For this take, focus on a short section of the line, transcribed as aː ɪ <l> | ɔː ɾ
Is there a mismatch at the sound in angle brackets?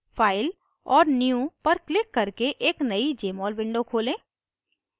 no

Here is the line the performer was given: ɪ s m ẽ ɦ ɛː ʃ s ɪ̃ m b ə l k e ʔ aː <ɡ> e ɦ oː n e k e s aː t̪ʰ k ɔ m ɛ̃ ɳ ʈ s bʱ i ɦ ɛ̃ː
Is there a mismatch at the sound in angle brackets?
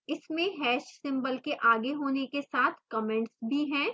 no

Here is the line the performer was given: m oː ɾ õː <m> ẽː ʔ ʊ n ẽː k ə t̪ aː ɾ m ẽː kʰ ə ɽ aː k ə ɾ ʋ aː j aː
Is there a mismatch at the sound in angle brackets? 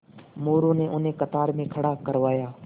yes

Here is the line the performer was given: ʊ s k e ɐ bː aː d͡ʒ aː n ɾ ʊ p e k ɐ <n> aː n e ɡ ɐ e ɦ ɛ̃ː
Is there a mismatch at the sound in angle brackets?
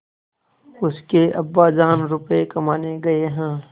yes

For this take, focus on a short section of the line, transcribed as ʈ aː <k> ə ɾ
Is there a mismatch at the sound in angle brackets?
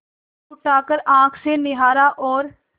no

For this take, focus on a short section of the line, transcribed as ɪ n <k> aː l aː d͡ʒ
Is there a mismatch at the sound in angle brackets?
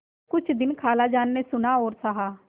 yes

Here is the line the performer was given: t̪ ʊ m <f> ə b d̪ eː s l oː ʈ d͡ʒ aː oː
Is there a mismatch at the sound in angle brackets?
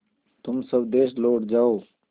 yes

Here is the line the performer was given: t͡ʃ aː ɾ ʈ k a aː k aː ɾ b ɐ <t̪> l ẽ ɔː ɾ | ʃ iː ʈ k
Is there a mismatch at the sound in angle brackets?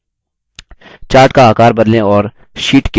yes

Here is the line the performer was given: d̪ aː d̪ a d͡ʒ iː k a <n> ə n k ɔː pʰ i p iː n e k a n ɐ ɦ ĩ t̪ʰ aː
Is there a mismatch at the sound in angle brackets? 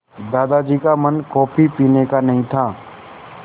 yes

